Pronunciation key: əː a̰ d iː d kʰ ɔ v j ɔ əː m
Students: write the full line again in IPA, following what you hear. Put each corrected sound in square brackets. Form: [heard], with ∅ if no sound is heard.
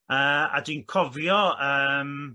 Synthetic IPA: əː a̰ d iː [n] kʰ ɔ v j ɔ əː m